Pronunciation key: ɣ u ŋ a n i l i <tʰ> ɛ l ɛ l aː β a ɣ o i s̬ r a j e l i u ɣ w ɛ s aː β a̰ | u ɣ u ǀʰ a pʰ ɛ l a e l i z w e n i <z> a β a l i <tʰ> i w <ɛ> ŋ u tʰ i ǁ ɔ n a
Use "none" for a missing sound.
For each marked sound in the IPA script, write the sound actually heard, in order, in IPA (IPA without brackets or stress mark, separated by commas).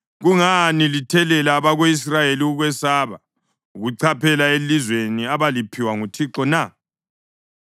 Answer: tʰ, none, pʰ, a